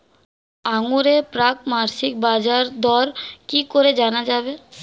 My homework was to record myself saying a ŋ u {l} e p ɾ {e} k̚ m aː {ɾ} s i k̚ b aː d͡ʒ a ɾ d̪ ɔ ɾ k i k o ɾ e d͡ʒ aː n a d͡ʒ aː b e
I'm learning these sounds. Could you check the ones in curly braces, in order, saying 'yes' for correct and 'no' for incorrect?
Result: no, no, yes

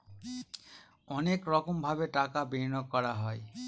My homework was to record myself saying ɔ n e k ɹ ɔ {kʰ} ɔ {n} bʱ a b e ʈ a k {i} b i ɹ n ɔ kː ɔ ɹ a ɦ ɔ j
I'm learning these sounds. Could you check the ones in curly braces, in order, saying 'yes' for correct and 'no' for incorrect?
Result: no, no, no

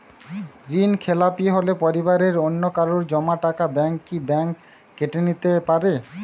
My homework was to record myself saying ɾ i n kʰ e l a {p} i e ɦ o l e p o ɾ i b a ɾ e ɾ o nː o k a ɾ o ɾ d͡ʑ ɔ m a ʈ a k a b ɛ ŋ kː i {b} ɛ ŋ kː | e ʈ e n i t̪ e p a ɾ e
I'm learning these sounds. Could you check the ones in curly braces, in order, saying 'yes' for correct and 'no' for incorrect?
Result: yes, yes

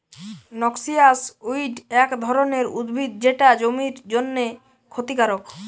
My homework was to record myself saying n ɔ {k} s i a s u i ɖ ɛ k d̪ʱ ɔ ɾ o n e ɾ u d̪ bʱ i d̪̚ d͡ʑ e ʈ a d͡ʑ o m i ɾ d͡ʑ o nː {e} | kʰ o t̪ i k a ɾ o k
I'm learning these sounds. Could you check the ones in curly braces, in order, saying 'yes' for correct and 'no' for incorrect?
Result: yes, yes

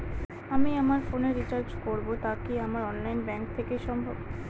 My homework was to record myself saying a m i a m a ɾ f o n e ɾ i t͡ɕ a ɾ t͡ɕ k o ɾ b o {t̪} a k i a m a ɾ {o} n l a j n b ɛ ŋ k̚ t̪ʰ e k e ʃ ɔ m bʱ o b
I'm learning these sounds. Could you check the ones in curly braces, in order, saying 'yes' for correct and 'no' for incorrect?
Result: yes, no

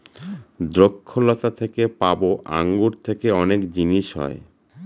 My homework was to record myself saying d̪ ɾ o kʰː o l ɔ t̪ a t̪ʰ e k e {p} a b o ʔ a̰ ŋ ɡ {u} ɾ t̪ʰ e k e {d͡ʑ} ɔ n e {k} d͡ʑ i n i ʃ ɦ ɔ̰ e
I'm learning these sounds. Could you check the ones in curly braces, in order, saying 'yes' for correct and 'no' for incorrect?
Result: yes, yes, no, yes

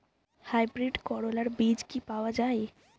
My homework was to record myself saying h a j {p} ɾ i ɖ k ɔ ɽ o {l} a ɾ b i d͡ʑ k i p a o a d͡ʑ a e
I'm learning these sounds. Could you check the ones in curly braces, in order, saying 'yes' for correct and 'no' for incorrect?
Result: no, yes

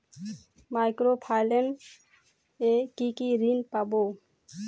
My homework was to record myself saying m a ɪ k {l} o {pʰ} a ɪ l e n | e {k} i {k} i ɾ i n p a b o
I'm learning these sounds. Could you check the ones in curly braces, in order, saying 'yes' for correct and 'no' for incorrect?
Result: no, yes, yes, yes

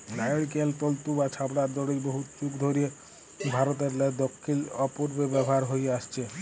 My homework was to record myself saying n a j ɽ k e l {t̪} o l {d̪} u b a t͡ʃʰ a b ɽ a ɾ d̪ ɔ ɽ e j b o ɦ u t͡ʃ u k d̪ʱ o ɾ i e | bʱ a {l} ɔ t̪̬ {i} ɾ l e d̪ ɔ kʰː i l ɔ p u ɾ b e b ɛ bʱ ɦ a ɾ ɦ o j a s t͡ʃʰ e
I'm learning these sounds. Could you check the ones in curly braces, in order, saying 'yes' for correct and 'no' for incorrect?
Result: yes, no, no, no

